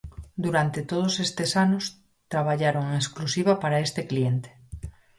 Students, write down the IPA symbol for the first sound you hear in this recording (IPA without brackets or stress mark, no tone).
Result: d̪